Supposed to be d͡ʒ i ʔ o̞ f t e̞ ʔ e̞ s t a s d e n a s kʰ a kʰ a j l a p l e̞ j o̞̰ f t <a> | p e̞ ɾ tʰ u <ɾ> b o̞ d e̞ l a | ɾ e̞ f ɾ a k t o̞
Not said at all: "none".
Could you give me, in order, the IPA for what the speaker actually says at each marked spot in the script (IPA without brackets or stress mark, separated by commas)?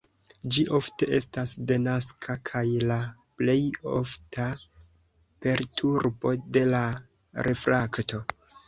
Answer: a, ɾ